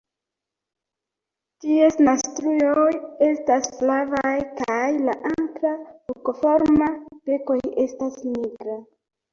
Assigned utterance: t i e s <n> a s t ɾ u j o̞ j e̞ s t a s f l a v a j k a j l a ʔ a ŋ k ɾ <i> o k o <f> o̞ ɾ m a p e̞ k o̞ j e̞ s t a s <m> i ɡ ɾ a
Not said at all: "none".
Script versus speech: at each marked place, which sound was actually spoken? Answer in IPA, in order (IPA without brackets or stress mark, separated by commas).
n, a, f, n